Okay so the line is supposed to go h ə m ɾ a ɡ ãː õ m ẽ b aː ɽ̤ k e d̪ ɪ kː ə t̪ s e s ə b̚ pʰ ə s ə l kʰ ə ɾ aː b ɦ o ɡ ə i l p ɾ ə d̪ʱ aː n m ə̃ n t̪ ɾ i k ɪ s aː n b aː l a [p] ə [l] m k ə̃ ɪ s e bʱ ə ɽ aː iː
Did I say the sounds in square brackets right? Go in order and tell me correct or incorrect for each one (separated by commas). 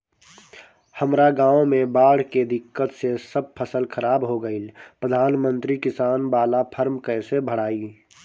incorrect, incorrect